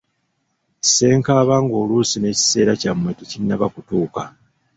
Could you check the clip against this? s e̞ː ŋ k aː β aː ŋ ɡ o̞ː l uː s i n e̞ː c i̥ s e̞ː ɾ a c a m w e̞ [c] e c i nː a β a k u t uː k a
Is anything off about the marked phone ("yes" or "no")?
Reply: yes